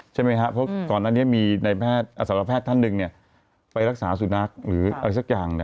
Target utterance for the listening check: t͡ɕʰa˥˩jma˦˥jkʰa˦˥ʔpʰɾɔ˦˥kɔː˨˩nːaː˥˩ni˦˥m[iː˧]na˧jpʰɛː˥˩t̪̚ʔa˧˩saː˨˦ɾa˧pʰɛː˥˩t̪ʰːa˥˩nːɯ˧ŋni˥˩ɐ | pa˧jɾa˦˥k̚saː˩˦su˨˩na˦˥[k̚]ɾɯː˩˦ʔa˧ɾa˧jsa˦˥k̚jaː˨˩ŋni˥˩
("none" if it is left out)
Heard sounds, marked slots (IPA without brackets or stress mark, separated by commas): iː˧, k̚